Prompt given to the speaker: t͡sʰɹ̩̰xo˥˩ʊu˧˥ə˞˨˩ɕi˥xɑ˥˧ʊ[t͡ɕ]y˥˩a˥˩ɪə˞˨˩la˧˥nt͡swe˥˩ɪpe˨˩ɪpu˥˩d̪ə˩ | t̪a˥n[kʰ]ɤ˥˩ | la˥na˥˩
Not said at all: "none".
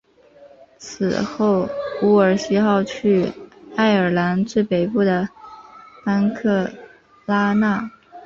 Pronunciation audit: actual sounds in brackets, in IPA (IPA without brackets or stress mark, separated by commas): t͡ɕʰ, kʰ